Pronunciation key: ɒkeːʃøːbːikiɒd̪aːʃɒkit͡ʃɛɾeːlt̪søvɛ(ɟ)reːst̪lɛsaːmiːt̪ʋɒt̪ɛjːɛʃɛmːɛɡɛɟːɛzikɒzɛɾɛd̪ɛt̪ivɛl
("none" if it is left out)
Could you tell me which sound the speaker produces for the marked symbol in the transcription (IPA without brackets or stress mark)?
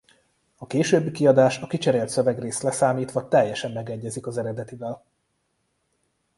ɡ